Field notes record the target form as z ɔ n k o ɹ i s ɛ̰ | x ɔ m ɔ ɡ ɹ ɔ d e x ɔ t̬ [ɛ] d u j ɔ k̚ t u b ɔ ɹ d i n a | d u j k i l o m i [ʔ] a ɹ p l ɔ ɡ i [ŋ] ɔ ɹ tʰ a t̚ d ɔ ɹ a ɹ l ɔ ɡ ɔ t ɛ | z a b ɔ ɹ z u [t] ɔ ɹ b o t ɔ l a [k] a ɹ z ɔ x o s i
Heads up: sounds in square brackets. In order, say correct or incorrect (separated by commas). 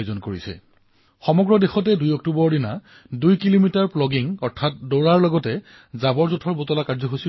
correct, incorrect, correct, incorrect, correct